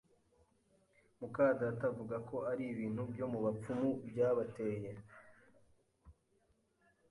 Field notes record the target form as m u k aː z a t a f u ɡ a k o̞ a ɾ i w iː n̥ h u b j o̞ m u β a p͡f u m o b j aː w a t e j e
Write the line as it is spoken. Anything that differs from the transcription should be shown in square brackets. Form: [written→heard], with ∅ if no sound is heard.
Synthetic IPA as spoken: m u k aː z a t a [f→v] u ɡ a k o̞ a ɾ i [w→β] iː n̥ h u b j o̞ m u β a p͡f u m [o→u] b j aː [w→β] a t e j e